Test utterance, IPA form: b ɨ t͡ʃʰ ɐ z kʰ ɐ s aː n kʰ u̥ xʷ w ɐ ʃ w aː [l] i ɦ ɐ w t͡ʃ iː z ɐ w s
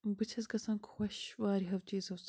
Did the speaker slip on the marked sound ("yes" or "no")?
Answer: yes